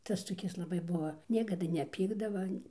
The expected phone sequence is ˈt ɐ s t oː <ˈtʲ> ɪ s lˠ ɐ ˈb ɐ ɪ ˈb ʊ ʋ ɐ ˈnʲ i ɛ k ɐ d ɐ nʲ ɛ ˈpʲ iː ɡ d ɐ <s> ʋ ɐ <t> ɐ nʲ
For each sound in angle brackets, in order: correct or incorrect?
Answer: incorrect, incorrect, incorrect

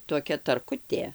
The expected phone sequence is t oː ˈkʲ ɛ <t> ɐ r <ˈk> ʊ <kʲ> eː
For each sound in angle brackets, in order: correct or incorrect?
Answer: correct, correct, incorrect

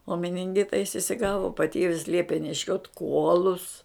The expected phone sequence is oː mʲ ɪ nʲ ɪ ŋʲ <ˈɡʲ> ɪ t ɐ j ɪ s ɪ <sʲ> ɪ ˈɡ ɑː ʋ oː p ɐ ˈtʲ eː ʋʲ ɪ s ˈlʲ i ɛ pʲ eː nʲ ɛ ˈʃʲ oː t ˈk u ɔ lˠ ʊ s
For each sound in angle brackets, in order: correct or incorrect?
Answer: correct, correct

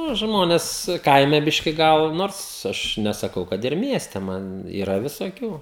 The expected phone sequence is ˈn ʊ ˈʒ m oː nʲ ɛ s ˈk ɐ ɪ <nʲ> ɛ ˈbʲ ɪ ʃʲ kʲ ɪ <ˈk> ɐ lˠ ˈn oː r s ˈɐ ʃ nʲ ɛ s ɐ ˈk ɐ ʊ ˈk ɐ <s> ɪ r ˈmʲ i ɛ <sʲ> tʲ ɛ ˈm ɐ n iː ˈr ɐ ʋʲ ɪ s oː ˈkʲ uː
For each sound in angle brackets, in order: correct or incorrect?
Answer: incorrect, incorrect, incorrect, correct

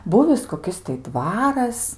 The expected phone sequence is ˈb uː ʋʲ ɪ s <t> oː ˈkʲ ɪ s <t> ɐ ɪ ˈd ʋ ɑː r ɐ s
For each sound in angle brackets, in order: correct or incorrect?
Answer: incorrect, correct

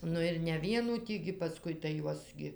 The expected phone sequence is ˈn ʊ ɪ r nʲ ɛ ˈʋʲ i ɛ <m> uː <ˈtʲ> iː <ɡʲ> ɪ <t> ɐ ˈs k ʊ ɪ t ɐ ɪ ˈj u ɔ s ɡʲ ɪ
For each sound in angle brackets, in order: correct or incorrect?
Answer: incorrect, correct, correct, incorrect

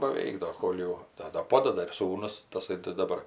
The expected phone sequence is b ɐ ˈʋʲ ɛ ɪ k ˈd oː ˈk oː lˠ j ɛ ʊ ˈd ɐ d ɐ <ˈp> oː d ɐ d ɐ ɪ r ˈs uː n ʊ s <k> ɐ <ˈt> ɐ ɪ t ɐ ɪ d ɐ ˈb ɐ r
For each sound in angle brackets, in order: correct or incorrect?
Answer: correct, incorrect, incorrect

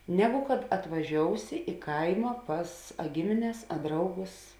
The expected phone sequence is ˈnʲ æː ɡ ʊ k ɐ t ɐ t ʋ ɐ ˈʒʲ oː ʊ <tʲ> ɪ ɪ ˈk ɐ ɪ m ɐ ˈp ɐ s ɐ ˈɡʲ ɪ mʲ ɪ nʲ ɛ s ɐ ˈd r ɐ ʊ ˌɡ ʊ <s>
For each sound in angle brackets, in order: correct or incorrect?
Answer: incorrect, correct

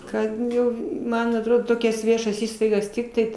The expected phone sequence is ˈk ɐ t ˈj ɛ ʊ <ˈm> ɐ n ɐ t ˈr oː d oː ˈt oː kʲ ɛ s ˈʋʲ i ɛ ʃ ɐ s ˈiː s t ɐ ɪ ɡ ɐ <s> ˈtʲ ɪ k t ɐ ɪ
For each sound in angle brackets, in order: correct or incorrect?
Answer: correct, correct

